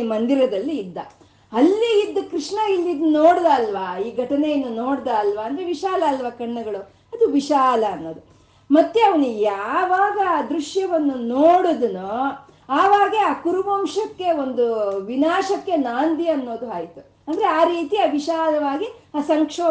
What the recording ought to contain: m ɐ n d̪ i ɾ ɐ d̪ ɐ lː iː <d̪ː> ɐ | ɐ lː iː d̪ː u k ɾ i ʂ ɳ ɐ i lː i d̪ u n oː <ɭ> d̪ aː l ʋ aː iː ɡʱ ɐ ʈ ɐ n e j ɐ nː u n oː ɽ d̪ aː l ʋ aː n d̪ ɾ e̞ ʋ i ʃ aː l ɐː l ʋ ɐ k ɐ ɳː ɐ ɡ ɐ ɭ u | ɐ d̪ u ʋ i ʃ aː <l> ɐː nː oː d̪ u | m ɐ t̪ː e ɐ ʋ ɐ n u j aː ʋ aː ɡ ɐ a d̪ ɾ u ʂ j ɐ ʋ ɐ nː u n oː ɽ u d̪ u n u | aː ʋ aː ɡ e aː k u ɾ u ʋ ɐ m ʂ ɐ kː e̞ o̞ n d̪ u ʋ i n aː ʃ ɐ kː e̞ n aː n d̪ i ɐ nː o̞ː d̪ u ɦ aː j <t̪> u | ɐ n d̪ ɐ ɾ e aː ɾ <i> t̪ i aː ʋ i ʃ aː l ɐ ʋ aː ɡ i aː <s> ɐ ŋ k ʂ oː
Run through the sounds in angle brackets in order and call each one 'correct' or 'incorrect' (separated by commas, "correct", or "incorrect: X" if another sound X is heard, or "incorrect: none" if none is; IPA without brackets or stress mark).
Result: correct, incorrect: ɽ, correct, correct, incorrect: iː, correct